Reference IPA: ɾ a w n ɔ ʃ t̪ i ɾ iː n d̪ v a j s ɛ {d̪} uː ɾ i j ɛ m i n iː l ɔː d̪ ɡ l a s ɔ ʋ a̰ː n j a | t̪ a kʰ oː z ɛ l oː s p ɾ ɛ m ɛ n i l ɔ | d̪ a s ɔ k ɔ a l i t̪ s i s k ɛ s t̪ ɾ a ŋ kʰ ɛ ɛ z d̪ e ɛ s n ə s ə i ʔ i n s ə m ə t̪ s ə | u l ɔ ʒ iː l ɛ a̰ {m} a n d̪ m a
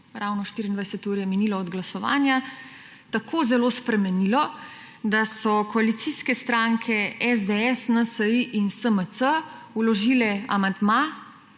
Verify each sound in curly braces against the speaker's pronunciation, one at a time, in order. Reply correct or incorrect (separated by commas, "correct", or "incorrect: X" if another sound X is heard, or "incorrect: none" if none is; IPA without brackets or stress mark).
incorrect: t̪, correct